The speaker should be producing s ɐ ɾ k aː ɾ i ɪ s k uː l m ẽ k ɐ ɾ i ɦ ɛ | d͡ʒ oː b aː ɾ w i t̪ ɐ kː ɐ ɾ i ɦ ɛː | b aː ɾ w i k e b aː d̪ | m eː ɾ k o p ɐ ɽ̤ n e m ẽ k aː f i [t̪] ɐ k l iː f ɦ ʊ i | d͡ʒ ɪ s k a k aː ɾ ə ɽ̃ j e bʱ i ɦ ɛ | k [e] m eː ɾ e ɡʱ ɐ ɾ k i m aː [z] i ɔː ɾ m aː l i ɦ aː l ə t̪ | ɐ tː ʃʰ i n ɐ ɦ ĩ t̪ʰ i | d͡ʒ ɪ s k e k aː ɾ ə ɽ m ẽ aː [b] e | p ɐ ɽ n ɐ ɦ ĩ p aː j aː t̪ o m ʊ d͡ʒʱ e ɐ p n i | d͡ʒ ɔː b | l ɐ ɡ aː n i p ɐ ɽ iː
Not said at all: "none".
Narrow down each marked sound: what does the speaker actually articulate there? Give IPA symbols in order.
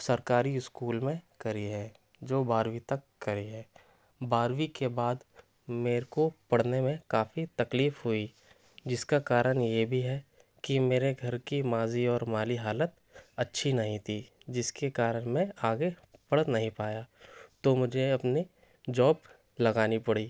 t̪, i, z, ɡ

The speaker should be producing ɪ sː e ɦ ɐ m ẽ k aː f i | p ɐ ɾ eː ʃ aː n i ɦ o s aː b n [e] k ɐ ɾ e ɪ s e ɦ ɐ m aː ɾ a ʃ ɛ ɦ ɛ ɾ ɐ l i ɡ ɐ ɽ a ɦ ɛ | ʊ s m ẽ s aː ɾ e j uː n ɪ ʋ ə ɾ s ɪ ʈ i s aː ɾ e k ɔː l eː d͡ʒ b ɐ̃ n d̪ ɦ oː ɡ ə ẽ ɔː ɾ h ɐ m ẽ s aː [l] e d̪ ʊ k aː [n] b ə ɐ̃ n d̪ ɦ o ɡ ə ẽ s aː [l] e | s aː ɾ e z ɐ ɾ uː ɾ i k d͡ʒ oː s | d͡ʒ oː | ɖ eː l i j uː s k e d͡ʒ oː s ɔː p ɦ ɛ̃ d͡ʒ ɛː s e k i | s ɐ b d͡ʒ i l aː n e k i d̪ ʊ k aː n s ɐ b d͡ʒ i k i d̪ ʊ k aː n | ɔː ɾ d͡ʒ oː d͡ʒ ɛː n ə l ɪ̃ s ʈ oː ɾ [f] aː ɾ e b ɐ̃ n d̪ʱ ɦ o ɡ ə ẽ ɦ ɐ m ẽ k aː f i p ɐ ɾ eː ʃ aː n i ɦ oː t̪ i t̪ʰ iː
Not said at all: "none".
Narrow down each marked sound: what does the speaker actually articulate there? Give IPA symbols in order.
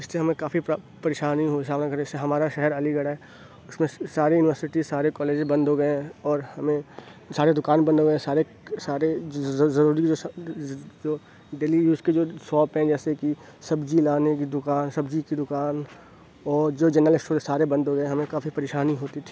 a, ɾ, n, ɾ, s

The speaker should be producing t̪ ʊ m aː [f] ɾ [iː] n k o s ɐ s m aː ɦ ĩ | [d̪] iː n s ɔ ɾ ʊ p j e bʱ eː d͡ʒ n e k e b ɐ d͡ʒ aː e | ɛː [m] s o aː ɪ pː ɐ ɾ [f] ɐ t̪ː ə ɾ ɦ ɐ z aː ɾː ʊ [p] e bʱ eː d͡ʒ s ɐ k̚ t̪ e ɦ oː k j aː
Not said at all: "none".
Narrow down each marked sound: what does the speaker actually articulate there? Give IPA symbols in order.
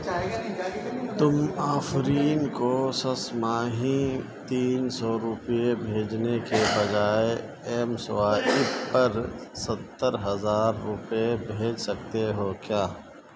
f, iː, t̪, m, s, p

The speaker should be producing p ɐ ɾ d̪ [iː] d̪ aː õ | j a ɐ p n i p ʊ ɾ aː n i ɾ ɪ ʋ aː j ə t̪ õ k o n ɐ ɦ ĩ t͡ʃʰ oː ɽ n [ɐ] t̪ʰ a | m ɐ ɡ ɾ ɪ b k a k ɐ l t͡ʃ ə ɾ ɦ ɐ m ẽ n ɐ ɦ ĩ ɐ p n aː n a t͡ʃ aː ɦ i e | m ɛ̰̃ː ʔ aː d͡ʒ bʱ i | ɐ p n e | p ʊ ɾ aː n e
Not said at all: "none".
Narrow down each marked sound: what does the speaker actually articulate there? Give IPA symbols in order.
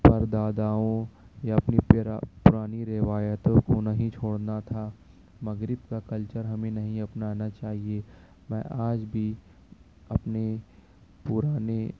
aː, a

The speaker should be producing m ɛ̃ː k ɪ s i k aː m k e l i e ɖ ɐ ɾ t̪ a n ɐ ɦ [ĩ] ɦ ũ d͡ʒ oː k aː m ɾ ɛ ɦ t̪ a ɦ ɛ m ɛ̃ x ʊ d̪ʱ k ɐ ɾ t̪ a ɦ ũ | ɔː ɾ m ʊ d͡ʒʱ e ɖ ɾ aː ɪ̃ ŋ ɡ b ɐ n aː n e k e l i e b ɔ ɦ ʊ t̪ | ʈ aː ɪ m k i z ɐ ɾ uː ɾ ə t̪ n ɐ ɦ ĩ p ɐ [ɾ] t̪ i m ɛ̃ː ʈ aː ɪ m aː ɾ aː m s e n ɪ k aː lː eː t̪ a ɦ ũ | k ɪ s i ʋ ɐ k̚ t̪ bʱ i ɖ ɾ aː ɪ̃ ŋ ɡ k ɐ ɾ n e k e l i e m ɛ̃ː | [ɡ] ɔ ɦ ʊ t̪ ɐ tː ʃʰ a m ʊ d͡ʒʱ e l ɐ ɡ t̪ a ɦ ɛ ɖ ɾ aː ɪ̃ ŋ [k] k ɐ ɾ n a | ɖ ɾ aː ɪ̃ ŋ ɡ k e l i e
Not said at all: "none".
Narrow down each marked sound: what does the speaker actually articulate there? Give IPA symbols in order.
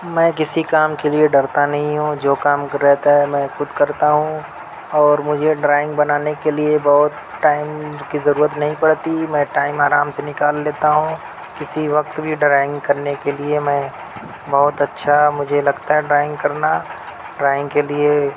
ĩ, ɽ, b, ɡ

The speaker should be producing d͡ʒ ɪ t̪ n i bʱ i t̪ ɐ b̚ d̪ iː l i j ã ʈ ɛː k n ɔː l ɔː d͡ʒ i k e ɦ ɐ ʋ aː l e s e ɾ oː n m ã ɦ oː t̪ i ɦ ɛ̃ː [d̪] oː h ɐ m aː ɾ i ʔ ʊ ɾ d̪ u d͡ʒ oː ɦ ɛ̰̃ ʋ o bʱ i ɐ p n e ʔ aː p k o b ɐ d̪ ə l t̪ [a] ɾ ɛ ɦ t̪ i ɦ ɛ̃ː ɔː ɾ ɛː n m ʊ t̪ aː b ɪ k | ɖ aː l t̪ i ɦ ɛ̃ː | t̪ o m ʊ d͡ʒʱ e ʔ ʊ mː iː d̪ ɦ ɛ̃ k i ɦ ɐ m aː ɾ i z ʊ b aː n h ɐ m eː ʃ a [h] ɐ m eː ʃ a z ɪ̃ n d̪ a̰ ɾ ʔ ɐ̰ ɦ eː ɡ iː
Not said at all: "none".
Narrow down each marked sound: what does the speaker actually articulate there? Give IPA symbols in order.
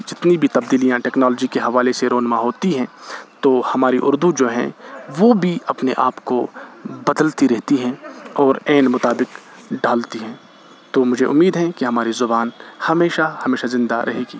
t̪, i, h

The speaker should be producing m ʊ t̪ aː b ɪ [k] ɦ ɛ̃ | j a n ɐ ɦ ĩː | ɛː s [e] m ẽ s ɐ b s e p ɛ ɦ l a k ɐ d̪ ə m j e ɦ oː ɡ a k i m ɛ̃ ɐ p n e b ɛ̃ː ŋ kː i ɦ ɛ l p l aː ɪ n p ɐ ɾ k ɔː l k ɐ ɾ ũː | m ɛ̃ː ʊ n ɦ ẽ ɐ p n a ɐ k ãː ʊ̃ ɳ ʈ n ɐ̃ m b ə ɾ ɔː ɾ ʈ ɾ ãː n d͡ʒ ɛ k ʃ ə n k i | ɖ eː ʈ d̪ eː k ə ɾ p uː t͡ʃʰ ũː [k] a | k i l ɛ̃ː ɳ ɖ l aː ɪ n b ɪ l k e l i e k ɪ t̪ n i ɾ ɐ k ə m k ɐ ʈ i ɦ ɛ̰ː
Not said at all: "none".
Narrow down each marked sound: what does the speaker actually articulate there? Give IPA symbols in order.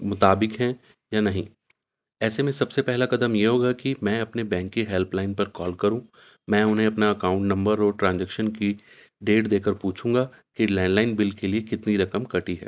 k, e, ɡ

